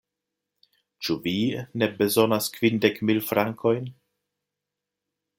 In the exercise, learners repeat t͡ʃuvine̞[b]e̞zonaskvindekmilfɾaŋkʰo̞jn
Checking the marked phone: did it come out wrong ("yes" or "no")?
no